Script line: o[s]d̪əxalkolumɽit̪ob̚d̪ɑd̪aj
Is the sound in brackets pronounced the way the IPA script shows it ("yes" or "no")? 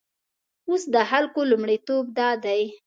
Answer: yes